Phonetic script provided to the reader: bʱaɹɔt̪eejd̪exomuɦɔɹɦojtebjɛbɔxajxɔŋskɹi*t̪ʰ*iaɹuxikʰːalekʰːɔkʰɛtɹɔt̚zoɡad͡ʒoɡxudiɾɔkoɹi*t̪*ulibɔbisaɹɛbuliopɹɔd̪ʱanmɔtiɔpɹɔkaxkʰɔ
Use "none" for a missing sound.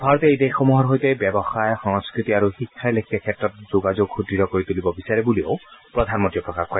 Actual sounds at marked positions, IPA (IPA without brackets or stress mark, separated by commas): t̪, t̪